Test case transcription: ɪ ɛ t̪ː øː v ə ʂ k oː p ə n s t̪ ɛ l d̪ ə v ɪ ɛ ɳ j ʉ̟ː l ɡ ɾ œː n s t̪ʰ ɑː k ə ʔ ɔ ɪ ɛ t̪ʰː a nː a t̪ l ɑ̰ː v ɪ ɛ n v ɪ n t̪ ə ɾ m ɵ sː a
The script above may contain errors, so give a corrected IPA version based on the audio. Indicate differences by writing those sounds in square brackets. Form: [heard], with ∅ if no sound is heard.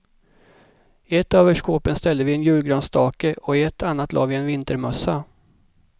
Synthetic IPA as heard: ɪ ɛ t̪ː øː v ə ʂ k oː p ə n s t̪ ɛ l d̪ ə v ɪ ɛ [n] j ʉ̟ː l ɡ ɾ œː n s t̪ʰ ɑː k ə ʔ ɔ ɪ ɛ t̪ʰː a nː a t̪ l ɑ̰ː v ɪ ɛ n v ɪ n t̪ ə ɾ m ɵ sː a